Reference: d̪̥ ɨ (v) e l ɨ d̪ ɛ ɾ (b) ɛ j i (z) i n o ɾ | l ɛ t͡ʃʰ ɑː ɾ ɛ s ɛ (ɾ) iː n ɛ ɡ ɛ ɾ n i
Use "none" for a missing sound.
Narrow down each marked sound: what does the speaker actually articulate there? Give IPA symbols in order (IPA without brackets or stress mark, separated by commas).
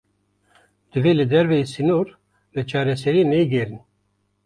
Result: v, v, s, ɾ